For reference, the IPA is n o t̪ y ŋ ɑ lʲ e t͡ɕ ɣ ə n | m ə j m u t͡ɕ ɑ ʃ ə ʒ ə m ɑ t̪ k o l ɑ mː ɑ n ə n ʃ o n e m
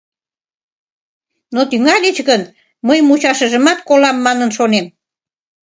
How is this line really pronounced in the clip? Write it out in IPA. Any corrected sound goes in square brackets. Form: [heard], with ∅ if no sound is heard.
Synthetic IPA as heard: n o t̪ y ŋ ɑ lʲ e t͡ɕ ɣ ə n | m ə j m u t͡ɕ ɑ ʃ ə ʒ ə m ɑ t̪ k o l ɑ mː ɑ n ə n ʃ o n e m

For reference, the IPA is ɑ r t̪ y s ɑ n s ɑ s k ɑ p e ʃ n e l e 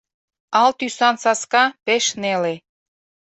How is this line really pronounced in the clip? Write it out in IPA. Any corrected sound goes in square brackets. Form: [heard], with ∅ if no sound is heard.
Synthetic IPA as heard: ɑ [l] t̪ y s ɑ n s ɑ s k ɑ p e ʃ n e l e

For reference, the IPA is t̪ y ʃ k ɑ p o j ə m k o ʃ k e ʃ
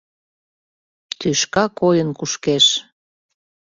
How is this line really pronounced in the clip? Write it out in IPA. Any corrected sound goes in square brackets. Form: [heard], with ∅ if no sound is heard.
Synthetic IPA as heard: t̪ y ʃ k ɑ [k] o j ə [n] k [u] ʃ k e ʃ

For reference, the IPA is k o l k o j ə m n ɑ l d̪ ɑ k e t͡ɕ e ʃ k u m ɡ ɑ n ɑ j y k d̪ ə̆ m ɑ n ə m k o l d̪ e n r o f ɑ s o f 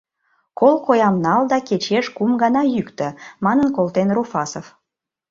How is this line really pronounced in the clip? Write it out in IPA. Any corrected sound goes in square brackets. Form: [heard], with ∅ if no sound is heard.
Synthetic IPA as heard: k o l k o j [ɑ] m n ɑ l d̪ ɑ k e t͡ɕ e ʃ k u m ɡ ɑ n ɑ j y k [t̪] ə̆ m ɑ n ə [n] k o l [t̪] e n r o f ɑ s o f

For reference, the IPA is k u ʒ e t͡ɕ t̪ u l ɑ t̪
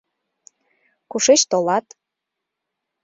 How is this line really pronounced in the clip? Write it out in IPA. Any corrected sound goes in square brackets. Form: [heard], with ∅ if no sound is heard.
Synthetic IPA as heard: k u [ʃ] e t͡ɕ t̪ [o] l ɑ t̪

